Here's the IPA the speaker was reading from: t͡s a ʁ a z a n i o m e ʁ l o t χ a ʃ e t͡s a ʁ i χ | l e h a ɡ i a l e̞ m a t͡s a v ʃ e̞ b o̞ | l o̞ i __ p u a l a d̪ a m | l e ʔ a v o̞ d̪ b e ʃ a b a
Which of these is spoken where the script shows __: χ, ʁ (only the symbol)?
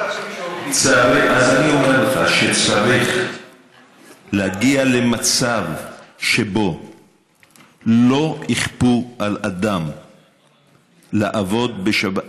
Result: χ